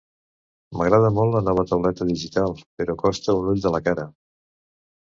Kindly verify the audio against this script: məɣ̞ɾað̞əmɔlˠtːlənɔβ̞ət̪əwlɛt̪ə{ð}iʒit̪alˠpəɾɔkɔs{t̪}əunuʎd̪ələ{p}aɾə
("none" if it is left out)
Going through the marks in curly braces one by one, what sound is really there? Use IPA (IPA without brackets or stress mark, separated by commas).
ð, t̪, k